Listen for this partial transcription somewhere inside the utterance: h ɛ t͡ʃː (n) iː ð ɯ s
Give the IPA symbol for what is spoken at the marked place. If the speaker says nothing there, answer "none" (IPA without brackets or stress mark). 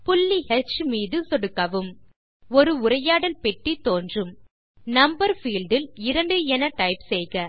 m